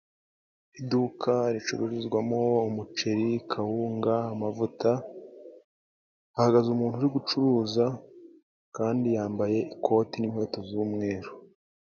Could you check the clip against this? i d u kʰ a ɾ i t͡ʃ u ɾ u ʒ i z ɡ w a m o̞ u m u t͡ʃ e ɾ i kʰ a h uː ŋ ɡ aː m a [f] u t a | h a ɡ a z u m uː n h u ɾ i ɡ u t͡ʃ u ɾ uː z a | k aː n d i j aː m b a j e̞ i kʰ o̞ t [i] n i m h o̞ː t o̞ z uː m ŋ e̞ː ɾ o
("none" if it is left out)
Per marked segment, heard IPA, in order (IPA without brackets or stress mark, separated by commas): v, i